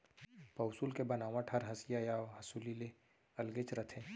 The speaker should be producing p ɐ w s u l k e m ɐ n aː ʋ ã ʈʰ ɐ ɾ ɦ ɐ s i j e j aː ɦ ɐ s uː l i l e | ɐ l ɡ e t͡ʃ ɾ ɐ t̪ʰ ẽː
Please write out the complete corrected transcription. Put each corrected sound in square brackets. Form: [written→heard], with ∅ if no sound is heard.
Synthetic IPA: p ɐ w s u l k e [m→b] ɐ n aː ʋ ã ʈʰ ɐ ɾ ɦ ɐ s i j [e→a] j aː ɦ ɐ s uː l i l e | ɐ l ɡ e t͡ʃ ɾ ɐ t̪ʰ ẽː